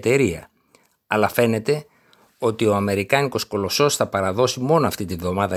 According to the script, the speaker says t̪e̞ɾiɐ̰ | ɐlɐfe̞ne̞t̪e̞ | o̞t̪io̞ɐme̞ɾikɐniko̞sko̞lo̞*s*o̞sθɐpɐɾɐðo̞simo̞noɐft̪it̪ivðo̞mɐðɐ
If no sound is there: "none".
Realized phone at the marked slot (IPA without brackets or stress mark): s